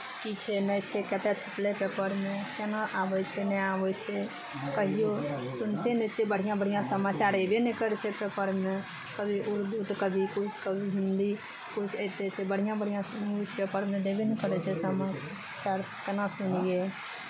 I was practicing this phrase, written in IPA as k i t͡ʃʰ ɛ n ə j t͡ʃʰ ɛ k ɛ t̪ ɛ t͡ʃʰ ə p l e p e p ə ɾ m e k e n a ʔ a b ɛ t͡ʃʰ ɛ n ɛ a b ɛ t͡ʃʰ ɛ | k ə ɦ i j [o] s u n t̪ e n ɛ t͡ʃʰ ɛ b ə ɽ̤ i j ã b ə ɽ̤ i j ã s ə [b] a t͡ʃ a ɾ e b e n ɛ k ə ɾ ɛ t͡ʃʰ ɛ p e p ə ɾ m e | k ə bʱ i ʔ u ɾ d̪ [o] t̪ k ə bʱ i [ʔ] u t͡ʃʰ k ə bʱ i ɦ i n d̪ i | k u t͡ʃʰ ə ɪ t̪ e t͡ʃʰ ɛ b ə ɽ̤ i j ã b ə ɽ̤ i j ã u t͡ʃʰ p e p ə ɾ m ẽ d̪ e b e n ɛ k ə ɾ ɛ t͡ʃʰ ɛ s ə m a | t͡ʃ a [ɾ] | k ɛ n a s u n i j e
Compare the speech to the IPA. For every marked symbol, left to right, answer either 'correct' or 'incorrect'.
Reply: correct, incorrect, incorrect, incorrect, correct

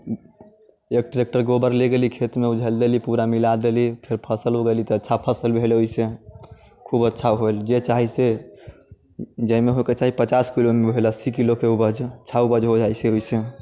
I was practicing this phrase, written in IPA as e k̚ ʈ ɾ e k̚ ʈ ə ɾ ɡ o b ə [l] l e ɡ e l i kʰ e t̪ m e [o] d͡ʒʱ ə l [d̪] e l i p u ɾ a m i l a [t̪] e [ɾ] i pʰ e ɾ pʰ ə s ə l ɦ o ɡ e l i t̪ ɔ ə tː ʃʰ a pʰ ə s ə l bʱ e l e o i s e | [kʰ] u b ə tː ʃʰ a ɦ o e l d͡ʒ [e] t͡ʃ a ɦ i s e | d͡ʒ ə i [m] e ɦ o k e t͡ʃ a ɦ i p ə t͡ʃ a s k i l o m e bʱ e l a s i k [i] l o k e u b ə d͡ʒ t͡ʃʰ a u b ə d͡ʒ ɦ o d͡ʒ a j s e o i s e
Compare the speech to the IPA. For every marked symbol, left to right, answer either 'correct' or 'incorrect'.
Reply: incorrect, incorrect, correct, incorrect, incorrect, correct, correct, correct, correct

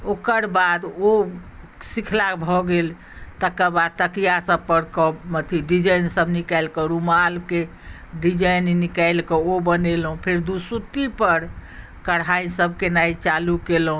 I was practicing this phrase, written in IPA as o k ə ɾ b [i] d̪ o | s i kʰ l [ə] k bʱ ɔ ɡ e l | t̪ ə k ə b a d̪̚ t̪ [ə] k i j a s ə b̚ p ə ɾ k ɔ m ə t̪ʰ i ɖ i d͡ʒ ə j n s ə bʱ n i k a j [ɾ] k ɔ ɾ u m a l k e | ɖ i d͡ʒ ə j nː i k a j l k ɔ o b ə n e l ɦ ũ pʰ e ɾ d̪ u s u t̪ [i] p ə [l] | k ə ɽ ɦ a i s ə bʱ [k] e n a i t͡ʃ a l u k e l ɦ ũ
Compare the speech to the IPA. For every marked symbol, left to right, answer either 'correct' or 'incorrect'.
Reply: incorrect, incorrect, correct, incorrect, correct, incorrect, correct

